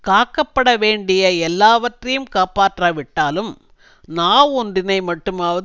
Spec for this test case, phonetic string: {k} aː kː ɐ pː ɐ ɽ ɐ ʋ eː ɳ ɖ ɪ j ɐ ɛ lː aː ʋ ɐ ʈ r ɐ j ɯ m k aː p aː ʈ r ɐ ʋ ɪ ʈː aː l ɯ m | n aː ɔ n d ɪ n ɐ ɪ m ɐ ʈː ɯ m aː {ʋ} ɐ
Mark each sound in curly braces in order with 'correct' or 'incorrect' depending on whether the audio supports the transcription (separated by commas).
correct, correct